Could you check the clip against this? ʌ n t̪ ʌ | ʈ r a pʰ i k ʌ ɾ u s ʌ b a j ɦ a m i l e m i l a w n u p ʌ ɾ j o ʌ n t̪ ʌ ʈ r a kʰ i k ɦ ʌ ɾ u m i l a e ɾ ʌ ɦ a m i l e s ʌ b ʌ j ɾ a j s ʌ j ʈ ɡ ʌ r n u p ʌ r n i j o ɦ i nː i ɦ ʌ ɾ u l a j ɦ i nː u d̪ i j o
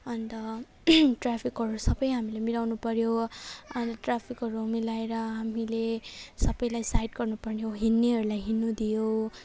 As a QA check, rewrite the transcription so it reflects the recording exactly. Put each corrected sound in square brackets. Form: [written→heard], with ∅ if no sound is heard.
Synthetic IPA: ʌ n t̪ ʌ | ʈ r a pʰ i k ʌ ɾ u s ʌ b [a→ʌ] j ɦ a m i l e m i l a w n u p ʌ ɾ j o ʌ n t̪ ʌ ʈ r a [kʰ→pʰ] i k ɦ ʌ ɾ u m i l a e ɾ ʌ ɦ a m i l e s ʌ b ʌ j [ɾ→l] a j s [ʌ→a] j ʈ ɡ ʌ r n u p ʌ r n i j o ɦ i nː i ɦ ʌ ɾ u l a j ɦ i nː u d̪ i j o